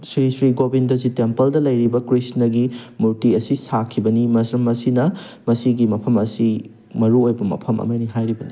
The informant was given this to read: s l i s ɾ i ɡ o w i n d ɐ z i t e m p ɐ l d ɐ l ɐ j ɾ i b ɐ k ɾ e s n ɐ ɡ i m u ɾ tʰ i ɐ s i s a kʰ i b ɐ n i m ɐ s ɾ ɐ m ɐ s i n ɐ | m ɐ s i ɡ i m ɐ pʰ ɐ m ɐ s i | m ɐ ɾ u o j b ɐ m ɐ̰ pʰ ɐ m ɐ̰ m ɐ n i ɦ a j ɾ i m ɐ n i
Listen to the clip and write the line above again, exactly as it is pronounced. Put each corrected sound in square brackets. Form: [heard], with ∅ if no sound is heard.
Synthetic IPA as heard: s [ɾ] i s ɾ i ɡ o [b] i n d ɐ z i t e m p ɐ l d ɐ l ɐ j ɾ i b ɐ k ɾ [i] s n ɐ ɡ i m u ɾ [t] i ɐ s i s a kʰ i b ɐ n i m ɐ s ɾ ɐ m ɐ s i n ɐ | m ɐ s i ɡ i m ɐ pʰ ɐ m ɐ s i | m ɐ ɾ u o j b ɐ m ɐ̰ pʰ ɐ m ɐ̰ m ɐ n i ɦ a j ɾ i [b] ɐ n i